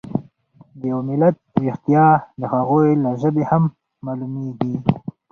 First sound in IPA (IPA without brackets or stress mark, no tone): d̪